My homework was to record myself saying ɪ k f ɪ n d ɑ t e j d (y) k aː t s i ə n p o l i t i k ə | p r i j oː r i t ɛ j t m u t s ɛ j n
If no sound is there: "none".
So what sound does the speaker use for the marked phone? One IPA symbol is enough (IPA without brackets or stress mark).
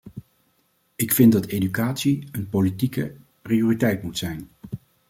y